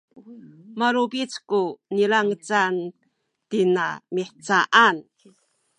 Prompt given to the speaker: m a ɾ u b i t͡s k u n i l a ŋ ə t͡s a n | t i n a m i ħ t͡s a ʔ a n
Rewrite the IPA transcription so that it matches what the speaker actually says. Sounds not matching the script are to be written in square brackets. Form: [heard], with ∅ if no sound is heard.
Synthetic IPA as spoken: m a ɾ u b i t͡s k u n i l a ŋ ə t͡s a n | t i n a m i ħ t͡s a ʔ a n